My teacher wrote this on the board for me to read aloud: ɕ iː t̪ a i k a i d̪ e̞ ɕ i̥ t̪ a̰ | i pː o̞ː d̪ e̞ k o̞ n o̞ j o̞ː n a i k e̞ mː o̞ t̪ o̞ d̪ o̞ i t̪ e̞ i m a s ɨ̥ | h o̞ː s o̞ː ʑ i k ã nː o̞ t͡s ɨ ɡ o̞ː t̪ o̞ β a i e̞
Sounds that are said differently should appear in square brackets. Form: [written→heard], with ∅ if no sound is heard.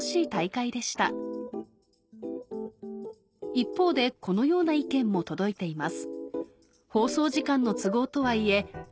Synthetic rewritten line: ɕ iː t̪ a i k a i d̪ e̞ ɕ i̥ t̪ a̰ | i pː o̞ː d̪ e̞ k o̞ n o̞ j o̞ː n a i k [e̞→ẽ̞] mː o̞ t̪ o̞ d̪ o̞ i t̪ e̞ i m a s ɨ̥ | h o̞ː s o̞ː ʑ i k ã nː o̞ t͡s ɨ ɡ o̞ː t̪ o̞ β a i e̞